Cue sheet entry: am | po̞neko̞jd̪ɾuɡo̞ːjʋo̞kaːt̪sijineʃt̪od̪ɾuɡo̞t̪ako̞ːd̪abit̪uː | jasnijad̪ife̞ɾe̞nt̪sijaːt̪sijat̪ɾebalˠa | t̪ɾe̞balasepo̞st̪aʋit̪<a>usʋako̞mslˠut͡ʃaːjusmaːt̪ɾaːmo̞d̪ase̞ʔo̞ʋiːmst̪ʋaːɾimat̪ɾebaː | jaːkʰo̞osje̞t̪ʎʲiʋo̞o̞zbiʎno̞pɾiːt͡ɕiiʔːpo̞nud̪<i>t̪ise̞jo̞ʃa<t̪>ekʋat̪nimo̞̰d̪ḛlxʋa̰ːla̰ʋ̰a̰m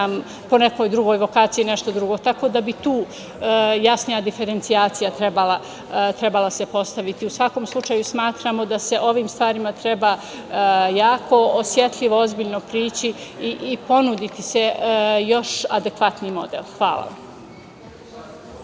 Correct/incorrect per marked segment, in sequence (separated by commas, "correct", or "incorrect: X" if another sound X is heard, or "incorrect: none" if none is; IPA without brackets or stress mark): incorrect: i, correct, incorrect: d̪